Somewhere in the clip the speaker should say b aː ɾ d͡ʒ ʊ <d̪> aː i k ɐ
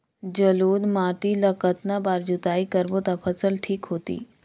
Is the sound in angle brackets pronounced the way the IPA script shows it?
no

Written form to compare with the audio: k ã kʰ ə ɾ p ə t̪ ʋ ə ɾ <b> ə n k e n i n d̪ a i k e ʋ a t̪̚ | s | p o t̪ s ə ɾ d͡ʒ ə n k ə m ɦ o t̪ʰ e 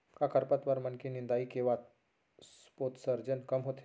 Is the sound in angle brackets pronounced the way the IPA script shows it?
no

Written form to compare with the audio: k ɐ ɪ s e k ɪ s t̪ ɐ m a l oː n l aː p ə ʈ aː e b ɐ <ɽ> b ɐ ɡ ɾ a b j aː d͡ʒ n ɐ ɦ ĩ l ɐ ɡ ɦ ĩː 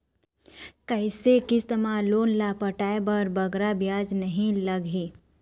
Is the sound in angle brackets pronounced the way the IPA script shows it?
no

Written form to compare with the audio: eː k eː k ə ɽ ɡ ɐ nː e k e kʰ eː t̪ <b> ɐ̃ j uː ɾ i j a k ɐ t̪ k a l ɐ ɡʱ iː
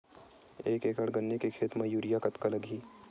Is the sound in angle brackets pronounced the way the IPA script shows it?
no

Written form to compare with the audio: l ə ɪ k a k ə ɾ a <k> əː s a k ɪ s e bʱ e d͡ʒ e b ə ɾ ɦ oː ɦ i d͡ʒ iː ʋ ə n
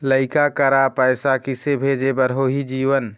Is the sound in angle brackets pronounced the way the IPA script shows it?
no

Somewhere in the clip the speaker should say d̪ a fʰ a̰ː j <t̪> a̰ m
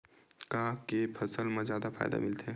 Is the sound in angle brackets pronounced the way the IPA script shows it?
no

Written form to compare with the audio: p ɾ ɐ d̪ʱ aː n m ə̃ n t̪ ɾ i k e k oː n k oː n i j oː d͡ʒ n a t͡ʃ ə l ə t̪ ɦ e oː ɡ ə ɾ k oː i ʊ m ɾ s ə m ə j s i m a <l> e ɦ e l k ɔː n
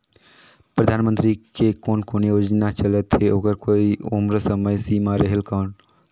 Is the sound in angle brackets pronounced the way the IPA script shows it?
no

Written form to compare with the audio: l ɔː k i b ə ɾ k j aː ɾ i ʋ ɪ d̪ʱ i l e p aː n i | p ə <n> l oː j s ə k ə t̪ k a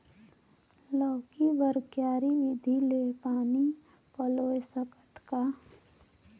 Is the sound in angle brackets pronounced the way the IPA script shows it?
no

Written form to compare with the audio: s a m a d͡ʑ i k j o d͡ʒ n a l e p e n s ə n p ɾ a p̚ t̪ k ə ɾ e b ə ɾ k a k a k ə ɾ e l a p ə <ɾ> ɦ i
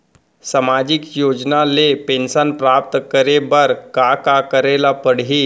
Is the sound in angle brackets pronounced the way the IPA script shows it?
no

